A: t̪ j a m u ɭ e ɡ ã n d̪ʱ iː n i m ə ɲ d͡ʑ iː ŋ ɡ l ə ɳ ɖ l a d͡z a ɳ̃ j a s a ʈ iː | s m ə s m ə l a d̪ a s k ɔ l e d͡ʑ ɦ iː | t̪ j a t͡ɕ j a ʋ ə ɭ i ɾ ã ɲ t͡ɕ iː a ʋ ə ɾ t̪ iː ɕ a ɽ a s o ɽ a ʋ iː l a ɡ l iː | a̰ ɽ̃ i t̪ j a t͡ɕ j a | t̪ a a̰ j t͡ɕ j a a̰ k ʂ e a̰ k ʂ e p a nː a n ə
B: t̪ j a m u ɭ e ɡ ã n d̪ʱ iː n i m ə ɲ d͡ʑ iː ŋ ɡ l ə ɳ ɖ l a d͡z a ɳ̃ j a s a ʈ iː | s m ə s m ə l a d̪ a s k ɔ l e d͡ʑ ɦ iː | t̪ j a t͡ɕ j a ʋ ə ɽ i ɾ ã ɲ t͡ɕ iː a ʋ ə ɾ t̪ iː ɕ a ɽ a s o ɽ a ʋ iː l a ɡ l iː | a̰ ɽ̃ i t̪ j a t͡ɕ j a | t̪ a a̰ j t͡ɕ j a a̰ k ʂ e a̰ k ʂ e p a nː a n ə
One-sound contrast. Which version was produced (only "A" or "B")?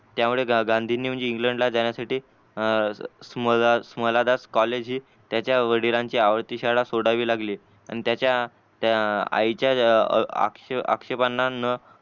B